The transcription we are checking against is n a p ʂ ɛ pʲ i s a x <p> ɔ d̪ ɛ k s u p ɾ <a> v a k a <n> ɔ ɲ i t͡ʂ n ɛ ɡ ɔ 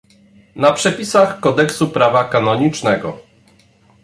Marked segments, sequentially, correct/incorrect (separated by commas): incorrect, correct, correct